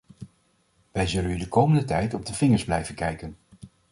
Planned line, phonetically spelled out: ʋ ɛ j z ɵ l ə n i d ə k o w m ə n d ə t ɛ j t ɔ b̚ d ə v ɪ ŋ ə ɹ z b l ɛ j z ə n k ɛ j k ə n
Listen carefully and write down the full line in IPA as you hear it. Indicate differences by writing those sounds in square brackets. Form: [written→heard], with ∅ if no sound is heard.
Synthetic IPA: ʋ ɛ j z ɵ l ə n [i→y] d ə k o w m ə n d ə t ɛ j t ɔ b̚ d ə v ɪ ŋ ə ɹ z b l ɛ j [z→v] ə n k ɛ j k ə n